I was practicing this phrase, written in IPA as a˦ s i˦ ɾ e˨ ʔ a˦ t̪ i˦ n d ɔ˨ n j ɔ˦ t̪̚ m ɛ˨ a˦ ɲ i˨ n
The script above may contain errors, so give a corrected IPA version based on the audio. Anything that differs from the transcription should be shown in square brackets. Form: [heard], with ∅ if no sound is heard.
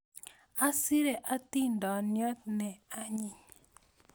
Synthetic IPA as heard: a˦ s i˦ ɾ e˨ ʔ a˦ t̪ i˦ n d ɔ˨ n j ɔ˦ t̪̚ [n] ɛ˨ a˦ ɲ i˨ [ɲ]